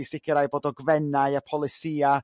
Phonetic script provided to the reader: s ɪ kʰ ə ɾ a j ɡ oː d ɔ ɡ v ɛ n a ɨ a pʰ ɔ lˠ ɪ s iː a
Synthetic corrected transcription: s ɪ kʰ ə ɾ a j b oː d ɔ ɡ v ɛ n a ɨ a pʰ ɔ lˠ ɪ s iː a